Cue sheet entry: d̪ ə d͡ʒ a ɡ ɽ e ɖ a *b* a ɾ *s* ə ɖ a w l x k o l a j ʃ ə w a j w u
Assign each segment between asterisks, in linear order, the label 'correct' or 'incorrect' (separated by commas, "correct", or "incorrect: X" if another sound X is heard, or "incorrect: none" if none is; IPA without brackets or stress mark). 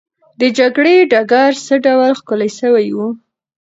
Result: incorrect: ɡ, correct